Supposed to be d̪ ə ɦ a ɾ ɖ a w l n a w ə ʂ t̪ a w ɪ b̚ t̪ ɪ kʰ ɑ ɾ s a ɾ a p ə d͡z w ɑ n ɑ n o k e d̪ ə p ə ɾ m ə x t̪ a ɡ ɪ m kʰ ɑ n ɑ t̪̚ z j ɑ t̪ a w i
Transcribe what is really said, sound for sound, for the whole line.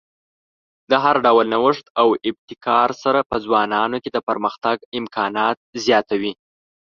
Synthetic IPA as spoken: d̪ ə ɦ a ɾ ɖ a w l n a w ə ʂ t̪ a w ɪ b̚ t̪ ɪ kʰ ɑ ɾ s a ɾ a p ə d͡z w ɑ n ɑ n o k e d̪ ə p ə ɾ m ə x t̪ a ɡ ɪ m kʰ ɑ n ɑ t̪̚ z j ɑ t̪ a w i